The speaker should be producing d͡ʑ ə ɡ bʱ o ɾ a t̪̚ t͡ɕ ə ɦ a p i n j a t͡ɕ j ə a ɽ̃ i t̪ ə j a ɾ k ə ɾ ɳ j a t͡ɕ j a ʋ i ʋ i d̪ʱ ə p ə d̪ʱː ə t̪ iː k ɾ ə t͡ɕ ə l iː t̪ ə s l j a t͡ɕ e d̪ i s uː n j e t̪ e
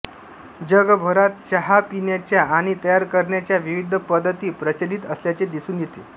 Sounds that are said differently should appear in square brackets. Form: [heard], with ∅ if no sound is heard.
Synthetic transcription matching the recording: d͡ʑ ə ɡ bʱ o ɾ a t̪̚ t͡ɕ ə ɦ a p i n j a t͡ɕ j [a] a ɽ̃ i t̪ ə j a ɾ k ə ɾ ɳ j a t͡ɕ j a ʋ i ʋ i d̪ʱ ə p ə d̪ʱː ə t̪ iː [p] ɾ ə t͡ɕ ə l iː t̪ ə s l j a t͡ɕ e d̪ i s uː n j e t̪ e